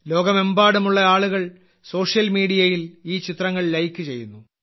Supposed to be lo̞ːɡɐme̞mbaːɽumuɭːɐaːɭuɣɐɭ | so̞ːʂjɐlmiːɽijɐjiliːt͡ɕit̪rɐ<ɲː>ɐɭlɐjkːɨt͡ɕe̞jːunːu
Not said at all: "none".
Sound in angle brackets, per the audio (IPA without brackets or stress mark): ŋː